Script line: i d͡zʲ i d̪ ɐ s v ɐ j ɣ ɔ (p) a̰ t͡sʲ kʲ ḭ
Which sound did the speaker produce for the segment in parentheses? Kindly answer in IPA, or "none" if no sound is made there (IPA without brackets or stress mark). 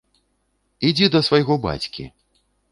b